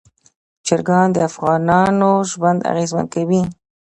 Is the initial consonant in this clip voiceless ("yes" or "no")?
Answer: yes